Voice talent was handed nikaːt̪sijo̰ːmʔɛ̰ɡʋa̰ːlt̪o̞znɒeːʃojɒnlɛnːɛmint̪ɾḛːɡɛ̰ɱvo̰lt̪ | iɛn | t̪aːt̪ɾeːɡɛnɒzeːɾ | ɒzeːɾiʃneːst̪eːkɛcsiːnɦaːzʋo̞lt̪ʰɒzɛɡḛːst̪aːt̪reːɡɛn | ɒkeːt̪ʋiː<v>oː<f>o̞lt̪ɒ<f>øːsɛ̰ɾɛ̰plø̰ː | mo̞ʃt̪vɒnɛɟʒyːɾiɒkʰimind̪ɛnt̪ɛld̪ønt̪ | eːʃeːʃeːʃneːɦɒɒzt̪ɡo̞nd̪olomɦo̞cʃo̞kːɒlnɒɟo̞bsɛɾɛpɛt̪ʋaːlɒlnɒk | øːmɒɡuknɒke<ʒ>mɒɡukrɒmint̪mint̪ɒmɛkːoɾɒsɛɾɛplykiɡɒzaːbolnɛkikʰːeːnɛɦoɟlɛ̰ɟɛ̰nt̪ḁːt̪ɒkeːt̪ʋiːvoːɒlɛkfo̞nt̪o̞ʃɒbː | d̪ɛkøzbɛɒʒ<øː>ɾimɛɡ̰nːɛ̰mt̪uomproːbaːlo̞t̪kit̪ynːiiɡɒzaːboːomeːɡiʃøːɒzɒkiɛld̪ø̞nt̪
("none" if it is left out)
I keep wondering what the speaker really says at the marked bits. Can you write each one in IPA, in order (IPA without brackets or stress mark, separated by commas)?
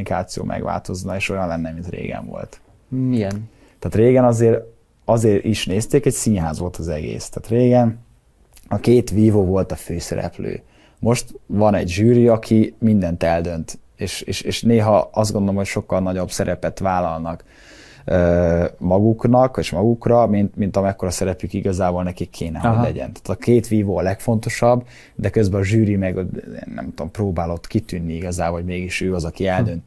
v, v, f, ʃ, yː